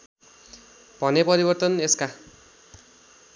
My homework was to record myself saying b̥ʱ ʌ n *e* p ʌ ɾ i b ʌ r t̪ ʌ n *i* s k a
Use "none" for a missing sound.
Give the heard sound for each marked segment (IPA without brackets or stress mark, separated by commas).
e, e